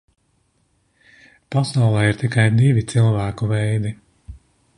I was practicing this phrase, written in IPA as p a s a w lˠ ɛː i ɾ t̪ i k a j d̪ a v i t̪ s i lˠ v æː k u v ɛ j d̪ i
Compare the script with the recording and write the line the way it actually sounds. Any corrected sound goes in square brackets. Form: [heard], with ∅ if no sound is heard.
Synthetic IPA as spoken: p a s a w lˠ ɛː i ɾ t̪ i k a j d̪ [i] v i t̪ s i lˠ v æː k u v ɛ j d̪ i

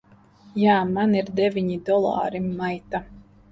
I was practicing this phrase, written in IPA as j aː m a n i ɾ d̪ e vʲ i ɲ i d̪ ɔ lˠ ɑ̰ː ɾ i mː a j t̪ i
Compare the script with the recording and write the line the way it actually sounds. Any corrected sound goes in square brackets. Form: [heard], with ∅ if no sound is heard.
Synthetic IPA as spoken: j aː m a n i ɾ d̪ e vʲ i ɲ i d̪ ɔ lˠ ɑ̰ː ɾ i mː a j t̪ [a]

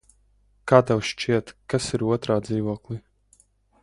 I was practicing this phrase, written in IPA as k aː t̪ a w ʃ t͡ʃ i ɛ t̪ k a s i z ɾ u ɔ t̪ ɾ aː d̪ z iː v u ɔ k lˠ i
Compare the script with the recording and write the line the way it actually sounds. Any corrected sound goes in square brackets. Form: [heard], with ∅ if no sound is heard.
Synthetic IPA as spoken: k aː t̪ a w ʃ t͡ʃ i ɛ t̪ k a s i [∅] ɾ u ɔ t̪ ɾ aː d̪ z iː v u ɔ k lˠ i

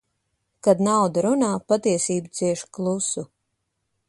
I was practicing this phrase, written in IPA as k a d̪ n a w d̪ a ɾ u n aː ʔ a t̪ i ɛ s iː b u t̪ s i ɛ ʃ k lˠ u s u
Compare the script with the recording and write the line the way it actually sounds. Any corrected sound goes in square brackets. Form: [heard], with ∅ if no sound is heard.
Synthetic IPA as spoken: k a d̪ n a w d̪ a ɾ u n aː [p] a t̪ i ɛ s iː b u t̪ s i ɛ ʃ k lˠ u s u

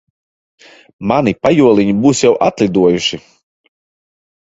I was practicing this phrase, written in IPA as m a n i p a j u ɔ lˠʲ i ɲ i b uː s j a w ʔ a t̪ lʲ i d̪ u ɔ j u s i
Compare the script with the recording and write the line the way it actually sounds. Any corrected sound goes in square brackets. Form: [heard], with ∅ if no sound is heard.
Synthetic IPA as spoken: m a n i p a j u ɔ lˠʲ i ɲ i b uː s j a w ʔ a t̪ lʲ i d̪ u ɔ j u [ʃ] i

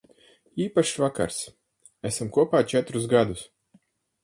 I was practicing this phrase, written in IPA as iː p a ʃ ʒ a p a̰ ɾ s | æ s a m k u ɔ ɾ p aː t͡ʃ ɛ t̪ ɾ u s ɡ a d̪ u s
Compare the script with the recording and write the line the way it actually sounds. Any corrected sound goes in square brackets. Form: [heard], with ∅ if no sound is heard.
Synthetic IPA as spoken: iː p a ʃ [v] a [k] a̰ ɾ s | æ s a m k u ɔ [∅] p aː t͡ʃ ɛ t̪ ɾ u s ɡ a d̪ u s

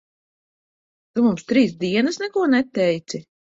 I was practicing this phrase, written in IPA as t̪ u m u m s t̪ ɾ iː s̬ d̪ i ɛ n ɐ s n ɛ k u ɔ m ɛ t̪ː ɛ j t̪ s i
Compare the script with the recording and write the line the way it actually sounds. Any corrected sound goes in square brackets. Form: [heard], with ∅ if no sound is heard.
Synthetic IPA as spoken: t̪ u m u m s t̪ ɾ iː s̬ d̪ i ɛ n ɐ s n ɛ k u ɔ [n] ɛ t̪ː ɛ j t̪ s i

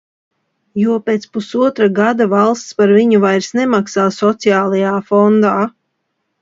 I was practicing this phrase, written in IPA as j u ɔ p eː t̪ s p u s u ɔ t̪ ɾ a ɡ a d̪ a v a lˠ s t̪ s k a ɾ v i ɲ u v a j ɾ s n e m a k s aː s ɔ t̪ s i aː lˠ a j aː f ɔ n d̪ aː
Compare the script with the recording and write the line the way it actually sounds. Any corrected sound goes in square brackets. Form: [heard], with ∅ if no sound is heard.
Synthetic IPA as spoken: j u ɔ p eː t̪ s p u s u ɔ t̪ ɾ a ɡ a d̪ a v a lˠ s t̪ s [p] a ɾ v i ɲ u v a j ɾ s n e m a k s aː s ɔ t̪ s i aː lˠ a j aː f ɔ n d̪ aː

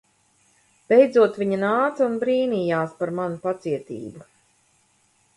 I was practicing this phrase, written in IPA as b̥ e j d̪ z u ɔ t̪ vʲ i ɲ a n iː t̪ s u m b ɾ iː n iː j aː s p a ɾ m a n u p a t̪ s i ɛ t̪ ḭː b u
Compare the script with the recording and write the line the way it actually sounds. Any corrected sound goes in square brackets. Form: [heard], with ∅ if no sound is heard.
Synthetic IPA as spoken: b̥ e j d̪ z u ɔ t̪ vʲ i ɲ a n [aː] t̪ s u [n] b ɾ iː n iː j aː s p a ɾ m a n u p a t̪ s i ɛ t̪ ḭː b u

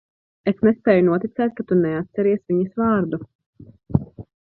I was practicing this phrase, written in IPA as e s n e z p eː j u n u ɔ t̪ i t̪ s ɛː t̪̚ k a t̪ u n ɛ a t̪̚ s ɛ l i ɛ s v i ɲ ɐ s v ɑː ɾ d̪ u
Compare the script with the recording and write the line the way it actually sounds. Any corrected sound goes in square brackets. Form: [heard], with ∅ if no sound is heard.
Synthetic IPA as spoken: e s n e [s] p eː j u n u ɔ t̪ i t̪ s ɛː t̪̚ k a t̪ u n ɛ a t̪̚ s ɛ [ɾ] i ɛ s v i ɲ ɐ s v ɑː ɾ d̪ u

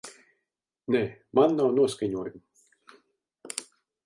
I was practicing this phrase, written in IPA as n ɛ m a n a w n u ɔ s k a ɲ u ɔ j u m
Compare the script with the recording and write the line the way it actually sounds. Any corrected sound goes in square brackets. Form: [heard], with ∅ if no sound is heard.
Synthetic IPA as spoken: n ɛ m a [nː] a w n u ɔ s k a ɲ u ɔ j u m

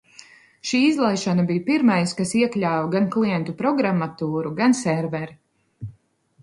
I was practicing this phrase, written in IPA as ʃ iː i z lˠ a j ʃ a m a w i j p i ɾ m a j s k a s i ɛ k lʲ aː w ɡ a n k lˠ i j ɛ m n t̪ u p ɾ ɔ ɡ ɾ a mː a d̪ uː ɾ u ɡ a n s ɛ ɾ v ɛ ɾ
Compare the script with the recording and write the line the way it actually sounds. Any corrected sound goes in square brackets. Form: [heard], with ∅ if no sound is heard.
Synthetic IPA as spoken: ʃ iː i z lˠ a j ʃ a [n] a [b] i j p i ɾ m a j s k a s i ɛ k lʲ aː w ɡ a n k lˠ i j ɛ [∅] n t̪ u p ɾ ɔ ɡ ɾ a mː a [t̪] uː ɾ u ɡ a n s ɛ ɾ v ɛ ɾ

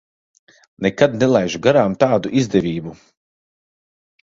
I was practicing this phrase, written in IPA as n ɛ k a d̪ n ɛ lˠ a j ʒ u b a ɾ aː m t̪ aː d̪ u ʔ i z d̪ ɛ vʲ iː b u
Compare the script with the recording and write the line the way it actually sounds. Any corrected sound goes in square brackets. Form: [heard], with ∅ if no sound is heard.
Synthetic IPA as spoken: n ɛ k a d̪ n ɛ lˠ a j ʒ u [ɡ] a ɾ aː m t̪ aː d̪ u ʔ i z d̪ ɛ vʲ iː b u

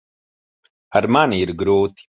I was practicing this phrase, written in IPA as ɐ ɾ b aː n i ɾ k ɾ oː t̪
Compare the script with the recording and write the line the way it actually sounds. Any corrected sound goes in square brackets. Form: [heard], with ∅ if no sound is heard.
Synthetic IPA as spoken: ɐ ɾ [m] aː n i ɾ [ɡ] ɾ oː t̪

